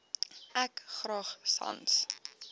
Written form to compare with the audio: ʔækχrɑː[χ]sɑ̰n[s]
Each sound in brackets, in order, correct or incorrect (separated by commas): correct, correct